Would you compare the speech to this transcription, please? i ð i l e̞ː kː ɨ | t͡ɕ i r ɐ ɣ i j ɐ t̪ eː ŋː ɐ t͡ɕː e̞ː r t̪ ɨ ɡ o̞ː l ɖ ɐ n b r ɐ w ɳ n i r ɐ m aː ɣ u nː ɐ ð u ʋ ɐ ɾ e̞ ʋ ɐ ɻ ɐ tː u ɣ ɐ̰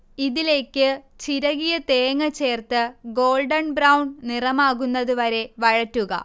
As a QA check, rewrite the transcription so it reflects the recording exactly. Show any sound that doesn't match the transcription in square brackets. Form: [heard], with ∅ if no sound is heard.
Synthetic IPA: i ð i l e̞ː kː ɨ | t͡ɕ i [ɾ] ɐ ɣ i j ɐ t̪ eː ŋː ɐ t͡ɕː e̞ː r t̪ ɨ ɡ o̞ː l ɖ ɐ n b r ɐ w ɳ n i r ɐ m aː ɣ u nː ɐ ð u ʋ ɐ ɾ e̞ ʋ ɐ ɻ ɐ tː u ɣ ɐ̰